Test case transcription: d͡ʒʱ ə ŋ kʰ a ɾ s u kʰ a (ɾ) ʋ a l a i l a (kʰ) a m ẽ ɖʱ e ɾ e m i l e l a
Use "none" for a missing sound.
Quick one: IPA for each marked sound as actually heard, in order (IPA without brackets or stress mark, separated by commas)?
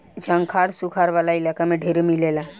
ɾ, k